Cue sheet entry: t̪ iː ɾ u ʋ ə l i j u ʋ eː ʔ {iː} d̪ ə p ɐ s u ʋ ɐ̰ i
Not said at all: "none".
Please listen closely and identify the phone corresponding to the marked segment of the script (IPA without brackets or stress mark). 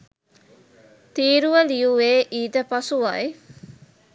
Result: iː